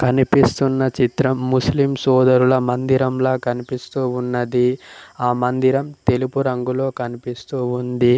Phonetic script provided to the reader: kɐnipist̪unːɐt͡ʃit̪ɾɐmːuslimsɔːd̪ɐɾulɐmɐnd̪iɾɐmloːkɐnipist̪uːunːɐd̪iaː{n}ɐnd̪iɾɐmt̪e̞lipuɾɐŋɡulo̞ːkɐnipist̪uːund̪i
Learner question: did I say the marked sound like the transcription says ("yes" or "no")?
no